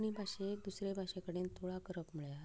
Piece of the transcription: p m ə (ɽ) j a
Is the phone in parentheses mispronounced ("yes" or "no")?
yes